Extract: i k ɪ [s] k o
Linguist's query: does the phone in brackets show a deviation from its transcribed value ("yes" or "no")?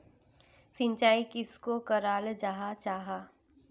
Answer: no